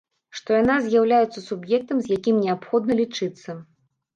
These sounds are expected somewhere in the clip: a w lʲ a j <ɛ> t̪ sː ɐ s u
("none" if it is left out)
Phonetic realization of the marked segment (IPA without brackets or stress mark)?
ɛ